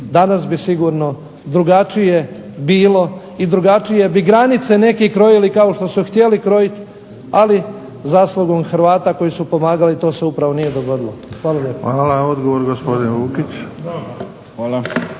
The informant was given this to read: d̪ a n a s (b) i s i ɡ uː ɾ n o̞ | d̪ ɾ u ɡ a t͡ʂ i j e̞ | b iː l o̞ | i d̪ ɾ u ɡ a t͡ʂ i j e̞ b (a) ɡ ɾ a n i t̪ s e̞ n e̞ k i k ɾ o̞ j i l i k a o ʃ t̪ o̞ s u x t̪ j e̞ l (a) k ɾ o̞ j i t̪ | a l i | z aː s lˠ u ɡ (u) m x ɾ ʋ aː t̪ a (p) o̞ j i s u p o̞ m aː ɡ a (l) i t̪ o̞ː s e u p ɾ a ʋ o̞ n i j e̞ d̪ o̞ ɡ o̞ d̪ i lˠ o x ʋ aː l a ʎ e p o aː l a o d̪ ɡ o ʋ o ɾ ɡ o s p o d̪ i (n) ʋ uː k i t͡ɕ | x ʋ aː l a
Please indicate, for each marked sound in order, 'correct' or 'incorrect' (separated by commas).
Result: correct, incorrect, incorrect, incorrect, incorrect, correct, correct